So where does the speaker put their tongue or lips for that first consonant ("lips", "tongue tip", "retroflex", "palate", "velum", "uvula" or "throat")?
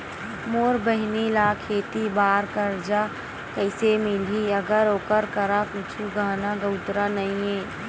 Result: lips